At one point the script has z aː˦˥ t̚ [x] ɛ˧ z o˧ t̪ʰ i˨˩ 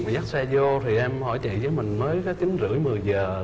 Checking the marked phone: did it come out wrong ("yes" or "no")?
yes